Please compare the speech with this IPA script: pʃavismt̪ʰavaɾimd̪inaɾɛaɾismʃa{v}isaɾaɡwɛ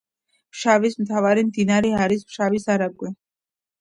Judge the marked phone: correct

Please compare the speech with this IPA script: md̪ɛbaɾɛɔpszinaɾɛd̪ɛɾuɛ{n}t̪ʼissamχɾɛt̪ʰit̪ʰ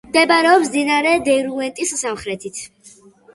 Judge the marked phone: correct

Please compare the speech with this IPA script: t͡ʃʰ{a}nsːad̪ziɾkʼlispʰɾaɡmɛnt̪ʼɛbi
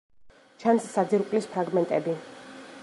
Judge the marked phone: correct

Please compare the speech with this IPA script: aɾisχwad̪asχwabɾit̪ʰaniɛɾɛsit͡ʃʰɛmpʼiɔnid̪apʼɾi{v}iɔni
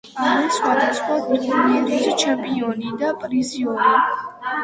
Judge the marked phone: incorrect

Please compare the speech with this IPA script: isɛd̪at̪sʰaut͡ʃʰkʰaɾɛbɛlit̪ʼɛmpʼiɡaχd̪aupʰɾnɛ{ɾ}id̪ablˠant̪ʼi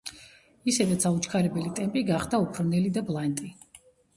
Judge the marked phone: incorrect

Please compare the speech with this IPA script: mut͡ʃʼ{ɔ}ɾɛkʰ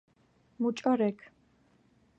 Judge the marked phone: correct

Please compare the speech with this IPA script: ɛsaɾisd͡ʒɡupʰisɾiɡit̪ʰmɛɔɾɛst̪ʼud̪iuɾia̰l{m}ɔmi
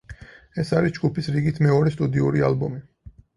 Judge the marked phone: incorrect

